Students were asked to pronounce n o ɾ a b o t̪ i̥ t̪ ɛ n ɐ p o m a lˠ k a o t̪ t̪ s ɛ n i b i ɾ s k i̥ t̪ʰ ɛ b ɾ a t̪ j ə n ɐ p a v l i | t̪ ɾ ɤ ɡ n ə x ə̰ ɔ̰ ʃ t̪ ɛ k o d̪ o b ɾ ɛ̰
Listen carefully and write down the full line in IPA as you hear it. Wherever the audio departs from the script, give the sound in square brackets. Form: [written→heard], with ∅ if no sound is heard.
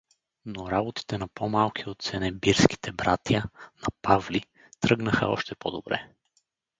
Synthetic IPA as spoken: n o ɾ a b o t̪ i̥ t̪ ɛ n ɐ p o m a lˠ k [a→i] o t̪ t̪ s ɛ n [i→ɛ] b i ɾ s k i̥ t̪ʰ ɛ b ɾ a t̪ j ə n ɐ p a v l i | t̪ ɾ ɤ ɡ n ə x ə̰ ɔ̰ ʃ t̪ ɛ [k→p] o d̪ o b ɾ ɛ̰